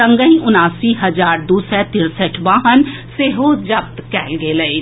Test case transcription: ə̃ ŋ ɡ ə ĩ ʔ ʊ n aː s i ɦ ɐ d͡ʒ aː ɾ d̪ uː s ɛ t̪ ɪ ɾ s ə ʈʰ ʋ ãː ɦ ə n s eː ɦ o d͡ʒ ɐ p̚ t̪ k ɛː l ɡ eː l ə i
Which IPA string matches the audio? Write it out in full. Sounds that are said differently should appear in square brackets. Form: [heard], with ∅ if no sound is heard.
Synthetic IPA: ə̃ ŋ ɡ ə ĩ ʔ ʊ n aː s i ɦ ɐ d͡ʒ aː ɾ d̪ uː s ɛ t̪ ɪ ɾ s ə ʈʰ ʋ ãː ɦ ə n s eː ɦ o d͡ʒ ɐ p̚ t̪ k ɛː l ɡ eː l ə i